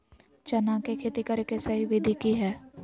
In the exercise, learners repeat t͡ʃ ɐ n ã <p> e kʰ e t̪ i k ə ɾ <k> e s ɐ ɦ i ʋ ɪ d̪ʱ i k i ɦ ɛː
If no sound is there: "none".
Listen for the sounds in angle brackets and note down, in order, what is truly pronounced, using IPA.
k, k

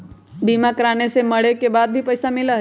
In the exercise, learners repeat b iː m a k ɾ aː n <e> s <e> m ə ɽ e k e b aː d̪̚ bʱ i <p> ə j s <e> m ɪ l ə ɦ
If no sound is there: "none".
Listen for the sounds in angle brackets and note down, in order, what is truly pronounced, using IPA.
e, e, p, a

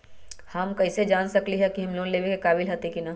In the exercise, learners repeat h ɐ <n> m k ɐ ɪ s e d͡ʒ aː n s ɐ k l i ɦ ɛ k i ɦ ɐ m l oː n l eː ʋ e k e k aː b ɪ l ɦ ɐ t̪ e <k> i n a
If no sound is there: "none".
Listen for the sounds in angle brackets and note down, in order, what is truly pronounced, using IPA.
none, k

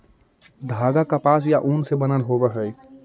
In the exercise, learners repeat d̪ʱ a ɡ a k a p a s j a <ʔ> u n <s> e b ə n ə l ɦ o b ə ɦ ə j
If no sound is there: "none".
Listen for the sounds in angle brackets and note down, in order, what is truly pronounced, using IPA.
ʔ, s

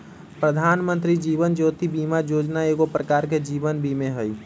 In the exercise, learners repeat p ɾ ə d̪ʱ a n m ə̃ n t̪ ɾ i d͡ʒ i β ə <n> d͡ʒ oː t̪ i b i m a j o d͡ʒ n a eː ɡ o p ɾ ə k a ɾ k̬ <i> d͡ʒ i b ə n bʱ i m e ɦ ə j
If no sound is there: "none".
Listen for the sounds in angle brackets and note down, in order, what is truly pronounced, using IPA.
n, e

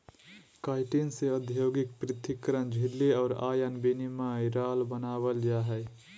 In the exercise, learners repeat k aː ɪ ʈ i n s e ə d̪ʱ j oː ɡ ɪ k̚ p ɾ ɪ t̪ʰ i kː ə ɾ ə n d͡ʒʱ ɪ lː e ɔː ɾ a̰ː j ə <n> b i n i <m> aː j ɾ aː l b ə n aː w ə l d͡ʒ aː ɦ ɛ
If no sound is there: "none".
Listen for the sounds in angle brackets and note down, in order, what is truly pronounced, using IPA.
n, m

